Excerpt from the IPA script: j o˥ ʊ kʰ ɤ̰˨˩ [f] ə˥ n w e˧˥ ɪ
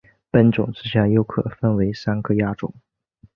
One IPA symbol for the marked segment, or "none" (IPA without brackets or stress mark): f